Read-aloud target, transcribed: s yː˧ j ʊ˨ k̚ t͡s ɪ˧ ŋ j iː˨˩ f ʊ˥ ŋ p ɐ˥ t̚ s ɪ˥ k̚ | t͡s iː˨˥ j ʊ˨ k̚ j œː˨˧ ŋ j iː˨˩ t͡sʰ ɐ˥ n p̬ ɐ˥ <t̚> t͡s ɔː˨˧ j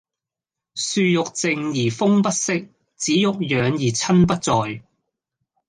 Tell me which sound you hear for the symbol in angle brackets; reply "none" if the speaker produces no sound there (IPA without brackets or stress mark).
t̚